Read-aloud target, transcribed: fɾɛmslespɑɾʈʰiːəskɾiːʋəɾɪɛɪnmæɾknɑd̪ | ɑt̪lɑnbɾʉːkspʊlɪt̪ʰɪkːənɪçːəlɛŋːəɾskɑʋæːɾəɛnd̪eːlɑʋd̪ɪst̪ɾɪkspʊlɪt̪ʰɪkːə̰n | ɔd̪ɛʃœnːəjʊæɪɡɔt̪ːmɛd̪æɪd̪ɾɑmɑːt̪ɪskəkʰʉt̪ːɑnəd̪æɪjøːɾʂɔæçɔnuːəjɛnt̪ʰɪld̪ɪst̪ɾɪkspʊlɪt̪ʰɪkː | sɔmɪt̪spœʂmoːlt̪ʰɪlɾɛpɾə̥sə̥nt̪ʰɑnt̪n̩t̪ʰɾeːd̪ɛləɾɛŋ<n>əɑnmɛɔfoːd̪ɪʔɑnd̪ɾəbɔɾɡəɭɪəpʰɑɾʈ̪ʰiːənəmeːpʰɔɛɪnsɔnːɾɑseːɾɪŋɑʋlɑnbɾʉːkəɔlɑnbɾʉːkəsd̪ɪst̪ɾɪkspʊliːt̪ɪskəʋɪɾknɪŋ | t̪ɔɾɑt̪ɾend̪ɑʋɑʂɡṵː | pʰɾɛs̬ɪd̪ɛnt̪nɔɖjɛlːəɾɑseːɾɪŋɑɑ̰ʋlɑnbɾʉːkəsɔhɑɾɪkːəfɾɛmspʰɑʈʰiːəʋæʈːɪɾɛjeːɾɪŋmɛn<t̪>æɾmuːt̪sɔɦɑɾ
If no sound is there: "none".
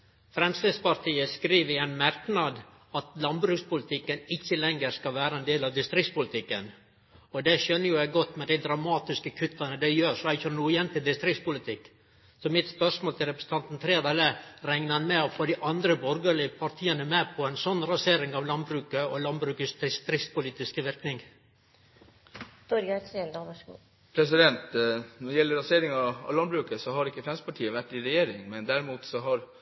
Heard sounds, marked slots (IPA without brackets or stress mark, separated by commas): n, d̪